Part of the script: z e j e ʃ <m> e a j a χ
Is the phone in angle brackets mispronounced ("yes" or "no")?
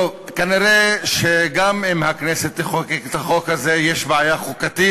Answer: yes